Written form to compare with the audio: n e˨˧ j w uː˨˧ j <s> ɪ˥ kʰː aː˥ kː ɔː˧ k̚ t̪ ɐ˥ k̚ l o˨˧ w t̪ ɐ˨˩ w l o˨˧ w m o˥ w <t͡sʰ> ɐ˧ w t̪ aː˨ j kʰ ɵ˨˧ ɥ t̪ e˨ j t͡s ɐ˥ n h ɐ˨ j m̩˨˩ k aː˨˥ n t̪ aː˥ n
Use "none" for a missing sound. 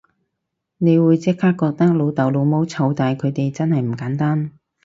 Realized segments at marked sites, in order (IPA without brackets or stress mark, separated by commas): t͡s, t͡sʰ